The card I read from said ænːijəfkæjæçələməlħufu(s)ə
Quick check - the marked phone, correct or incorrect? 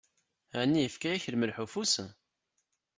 correct